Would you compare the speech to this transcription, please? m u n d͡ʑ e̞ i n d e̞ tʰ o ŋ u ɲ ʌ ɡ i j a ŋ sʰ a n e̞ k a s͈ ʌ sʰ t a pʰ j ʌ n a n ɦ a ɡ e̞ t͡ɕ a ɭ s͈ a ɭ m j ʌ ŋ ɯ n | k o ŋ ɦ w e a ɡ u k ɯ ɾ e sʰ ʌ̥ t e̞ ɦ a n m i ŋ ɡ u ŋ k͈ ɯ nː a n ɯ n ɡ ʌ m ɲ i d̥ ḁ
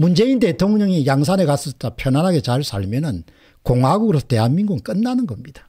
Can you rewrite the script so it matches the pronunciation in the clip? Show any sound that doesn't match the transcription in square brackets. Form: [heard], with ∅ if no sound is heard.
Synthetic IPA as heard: m u n d͡ʑ e̞ i n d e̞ tʰ o ŋ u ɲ ʌ [ŋ] i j a ŋ sʰ a n e̞ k a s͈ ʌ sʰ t a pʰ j ʌ n a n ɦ a ɡ e̞ t͡ɕ a ɭ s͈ a ɭ m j ʌ [n] ɯ n | k o ŋ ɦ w [a] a ɡ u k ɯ ɾ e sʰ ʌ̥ t e̞ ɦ a n m i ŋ ɡ u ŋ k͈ ɯ nː a n ɯ n ɡ ʌ m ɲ i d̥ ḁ